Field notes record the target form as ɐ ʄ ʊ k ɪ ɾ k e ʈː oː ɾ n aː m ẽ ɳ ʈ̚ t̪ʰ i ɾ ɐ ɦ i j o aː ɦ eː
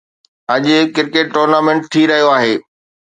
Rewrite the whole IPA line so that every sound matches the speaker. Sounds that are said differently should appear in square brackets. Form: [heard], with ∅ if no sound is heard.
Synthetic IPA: ɐ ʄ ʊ k ɪ ɾ k e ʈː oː ɾ n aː m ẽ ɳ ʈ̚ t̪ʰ i ɾ ɐ ɦ i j o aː ɦ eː

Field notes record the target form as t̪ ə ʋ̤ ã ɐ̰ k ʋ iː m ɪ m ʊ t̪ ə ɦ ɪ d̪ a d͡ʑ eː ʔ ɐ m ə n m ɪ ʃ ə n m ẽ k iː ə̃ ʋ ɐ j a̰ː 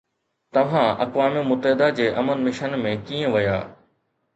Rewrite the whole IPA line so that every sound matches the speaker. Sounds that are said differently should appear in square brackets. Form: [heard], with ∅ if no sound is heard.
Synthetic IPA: t̪ [ɐ] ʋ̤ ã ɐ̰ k ʋ [aː] m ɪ m ʊ t̪ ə ɦ ɪ d̪ a d͡ʑ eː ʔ ɐ m ə n m ɪ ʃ ə n m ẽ k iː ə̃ ʋ ɐ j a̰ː

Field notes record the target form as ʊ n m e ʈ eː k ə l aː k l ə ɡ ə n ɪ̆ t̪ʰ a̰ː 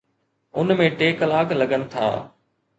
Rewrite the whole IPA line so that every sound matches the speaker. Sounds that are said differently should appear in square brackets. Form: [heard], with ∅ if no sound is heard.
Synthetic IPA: ʊ n m [ẽ] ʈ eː k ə l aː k l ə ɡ ə n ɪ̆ t̪ʰ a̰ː

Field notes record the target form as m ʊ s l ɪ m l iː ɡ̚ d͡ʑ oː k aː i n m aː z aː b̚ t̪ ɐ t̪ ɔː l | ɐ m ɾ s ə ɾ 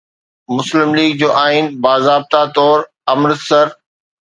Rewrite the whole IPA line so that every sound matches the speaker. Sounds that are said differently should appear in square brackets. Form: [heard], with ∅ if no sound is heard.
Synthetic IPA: m ʊ s l ɪ m l iː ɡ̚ d͡ʑ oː [ʔ] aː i n [b] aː z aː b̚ t̪ [a] t̪ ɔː [ɾ] | ɐ m ɾ s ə ɾ

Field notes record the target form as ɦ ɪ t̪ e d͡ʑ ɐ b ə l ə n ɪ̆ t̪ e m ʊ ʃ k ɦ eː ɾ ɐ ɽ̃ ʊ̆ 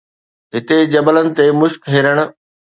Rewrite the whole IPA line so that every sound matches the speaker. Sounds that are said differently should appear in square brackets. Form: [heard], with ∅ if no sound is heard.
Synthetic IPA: ɦ ɪ t̪ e d͡ʑ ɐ b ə l ə n ɪ̆ t̪ e m ʊ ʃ k ɦ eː ɾ [ə] ɽ̃ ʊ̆

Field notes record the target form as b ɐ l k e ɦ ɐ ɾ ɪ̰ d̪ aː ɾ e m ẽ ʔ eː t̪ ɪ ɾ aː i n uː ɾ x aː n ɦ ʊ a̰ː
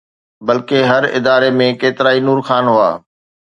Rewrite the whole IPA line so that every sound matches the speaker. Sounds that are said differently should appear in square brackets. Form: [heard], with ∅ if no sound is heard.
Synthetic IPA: b ɐ l k e ɦ ɐ ɾ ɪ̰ d̪ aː ɾ e m ẽ [k] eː t̪ ɪ ɾ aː i n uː ɾ x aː n ɦ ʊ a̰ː

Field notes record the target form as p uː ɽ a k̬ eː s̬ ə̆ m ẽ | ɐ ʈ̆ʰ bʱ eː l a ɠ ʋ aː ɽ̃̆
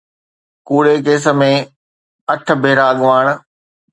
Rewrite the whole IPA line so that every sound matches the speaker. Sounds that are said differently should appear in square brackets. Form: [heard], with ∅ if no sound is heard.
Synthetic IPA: [k] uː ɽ [e] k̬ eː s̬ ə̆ m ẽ | ɐ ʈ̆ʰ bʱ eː [ɾ] a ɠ ʋ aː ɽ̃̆

